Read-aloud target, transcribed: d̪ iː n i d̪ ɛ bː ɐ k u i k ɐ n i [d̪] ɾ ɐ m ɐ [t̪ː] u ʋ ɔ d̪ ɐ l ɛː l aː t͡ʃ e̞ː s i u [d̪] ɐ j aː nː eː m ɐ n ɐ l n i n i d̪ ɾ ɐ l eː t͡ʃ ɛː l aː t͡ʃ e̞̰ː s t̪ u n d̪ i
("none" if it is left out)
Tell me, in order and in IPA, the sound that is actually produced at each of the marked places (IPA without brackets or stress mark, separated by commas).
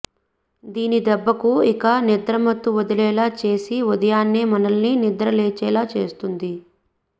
d̪, t̪ː, d̪